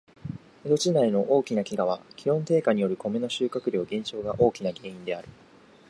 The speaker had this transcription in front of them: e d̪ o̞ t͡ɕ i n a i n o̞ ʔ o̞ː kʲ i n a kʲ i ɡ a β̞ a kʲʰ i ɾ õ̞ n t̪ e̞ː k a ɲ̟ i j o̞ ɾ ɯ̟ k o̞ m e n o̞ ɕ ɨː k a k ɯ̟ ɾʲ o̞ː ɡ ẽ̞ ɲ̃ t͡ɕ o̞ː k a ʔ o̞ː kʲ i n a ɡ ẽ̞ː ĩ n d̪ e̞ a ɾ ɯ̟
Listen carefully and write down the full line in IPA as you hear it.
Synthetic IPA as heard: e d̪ o̞ t͡ɕ i n a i n o̞ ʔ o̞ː kʲ i n a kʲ i ɡ a β̞ a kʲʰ i ɾ õ̞ n t̪ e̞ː k a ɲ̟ i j o̞ ɾ ɯ̟ k o̞ m e n o̞ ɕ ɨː k a k ɯ̟ ɾʲ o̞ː ɡ ẽ̞ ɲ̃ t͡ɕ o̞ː ɡ a ʔ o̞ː kʲ i n a ɡ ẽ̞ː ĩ n d̪ e̞ a ɾ ɯ̟